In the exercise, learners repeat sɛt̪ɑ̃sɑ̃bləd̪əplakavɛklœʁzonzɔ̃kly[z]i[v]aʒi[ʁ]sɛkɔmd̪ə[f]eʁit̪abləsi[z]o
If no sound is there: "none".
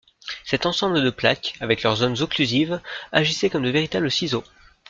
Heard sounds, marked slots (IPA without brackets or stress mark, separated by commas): z, v, none, v, z